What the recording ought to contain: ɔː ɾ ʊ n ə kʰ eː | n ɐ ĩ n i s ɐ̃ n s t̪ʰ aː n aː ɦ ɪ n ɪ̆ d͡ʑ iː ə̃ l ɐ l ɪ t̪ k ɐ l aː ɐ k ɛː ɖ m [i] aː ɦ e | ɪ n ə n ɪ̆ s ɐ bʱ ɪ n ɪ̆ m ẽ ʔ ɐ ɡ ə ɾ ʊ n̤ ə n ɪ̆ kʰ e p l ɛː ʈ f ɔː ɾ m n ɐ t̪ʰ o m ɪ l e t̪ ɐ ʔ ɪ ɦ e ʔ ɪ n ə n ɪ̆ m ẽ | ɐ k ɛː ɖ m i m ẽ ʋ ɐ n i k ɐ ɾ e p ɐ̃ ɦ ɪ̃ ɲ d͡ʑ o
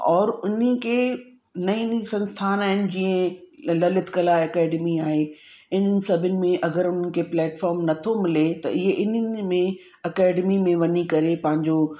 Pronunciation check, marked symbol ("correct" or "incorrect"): correct